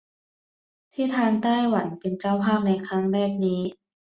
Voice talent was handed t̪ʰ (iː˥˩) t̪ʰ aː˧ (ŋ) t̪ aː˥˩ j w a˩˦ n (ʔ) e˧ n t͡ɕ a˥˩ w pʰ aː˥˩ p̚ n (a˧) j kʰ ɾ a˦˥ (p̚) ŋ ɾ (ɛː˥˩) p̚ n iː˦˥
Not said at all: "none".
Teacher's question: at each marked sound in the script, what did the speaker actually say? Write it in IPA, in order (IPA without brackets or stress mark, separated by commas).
iː˥˩, n, p, a˧, none, ɛː˥˩